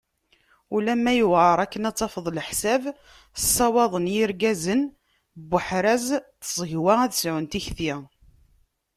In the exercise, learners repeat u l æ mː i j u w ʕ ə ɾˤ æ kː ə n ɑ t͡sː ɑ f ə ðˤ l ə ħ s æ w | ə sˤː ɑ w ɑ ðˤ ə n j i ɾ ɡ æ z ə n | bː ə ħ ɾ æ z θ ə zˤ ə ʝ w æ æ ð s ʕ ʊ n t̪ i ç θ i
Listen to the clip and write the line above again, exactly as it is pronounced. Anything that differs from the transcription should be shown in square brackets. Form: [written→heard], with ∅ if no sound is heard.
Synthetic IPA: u l æ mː [i→æ] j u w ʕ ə ɾˤ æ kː ə n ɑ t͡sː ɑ f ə ðˤ l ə ħ s æ [w→v] | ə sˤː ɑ w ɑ ðˤ ə n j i ɾ ɡ æ z ə n | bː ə ħ ɾ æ z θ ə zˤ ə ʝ w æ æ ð s ʕ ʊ n t̪ i ç θ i